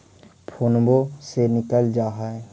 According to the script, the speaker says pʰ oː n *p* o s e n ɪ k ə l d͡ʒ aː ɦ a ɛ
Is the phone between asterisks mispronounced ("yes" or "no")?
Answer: yes